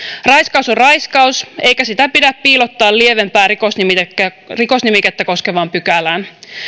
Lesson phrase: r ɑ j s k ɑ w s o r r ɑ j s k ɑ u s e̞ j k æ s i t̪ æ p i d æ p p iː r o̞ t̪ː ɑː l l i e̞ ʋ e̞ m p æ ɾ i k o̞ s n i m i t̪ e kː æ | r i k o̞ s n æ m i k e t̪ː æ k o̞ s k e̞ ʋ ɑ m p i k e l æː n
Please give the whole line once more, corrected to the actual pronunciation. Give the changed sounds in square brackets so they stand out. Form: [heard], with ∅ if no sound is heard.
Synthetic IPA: r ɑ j s k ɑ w s o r r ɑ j s k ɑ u s e̞ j k æ s i t̪ æ p i d æ p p iː [l] o̞ t̪ː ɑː l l i e̞ ʋ e̞ m p [æː] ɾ i k o̞ s n i m i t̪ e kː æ | r i k o̞ s n [i] m i k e t̪ː æ k o̞ s k e̞ ʋ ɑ m p [y] k [æ] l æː n